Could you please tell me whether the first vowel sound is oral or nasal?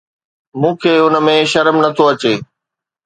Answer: nasal